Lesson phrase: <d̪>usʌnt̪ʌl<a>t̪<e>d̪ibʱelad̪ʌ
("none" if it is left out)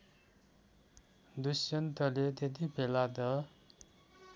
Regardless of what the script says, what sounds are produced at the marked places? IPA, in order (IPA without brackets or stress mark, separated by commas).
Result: d̪, e, e